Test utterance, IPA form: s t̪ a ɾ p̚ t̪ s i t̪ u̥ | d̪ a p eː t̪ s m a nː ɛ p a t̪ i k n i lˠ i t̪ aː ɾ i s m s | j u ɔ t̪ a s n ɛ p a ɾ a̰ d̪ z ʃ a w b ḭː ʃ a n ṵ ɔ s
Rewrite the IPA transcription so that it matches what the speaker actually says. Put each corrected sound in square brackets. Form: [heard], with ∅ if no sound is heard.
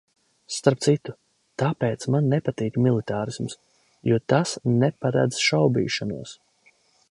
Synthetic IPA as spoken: s t̪ a ɾ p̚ t̪ s i t̪ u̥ | [t̪] a p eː t̪ s m a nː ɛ p a t̪ [iː] k [m] i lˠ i t̪ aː ɾ i s m s | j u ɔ t̪ a s n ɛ p a ɾ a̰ d̪ z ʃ a w b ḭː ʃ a n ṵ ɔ s